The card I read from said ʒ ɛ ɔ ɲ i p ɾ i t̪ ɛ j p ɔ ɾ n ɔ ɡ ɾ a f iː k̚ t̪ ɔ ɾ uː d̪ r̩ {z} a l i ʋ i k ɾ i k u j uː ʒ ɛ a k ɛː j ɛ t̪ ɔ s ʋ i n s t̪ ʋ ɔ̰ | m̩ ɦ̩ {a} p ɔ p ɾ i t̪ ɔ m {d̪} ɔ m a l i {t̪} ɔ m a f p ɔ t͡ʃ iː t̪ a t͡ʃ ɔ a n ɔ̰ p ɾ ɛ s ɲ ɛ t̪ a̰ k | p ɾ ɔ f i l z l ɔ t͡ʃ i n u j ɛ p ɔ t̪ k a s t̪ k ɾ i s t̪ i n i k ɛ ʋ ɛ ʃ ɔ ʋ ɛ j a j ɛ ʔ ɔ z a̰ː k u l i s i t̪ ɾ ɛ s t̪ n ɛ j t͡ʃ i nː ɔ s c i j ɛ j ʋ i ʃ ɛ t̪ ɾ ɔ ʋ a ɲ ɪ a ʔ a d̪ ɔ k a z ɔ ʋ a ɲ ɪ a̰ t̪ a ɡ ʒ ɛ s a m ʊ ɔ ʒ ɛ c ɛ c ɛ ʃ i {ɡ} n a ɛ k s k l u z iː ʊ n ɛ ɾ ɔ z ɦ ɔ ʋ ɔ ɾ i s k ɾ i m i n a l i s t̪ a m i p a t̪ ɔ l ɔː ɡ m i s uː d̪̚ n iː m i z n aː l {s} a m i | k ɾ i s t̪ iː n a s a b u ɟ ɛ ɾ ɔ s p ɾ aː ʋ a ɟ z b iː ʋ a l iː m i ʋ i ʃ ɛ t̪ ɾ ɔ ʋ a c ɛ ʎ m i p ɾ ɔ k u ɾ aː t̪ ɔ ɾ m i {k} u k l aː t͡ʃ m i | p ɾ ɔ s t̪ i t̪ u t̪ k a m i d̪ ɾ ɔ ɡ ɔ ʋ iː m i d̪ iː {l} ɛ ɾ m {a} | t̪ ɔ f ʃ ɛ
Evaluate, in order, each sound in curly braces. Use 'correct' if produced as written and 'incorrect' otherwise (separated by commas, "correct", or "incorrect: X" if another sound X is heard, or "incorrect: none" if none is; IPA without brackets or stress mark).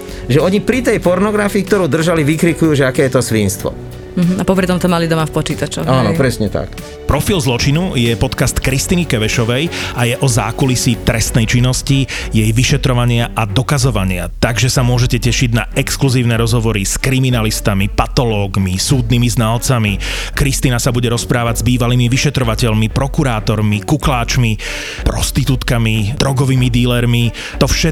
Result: incorrect: ʒ, correct, incorrect: t̪, incorrect: d̪, incorrect: ɟ, incorrect: t͡s, correct, correct, incorrect: i